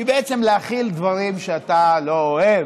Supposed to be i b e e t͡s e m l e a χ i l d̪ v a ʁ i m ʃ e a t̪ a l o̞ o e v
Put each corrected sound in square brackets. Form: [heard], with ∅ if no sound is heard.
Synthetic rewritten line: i b e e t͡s e m l e a χ i l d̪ v a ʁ i m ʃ e a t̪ a l o̞ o e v